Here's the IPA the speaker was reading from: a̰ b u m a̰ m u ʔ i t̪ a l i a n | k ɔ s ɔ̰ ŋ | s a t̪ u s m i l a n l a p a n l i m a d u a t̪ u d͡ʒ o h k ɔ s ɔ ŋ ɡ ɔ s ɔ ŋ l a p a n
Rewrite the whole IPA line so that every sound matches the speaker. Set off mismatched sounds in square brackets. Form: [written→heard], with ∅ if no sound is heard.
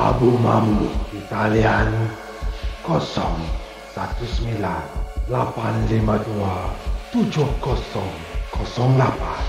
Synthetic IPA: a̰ b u m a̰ m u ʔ i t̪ a l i a n | k ɔ s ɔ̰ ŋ | s a t̪ u s m i l a n l a p a n l i m a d u a t̪ u d͡ʒ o h k ɔ s ɔ ŋ [ɡ→k] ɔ s ɔ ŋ l a p a n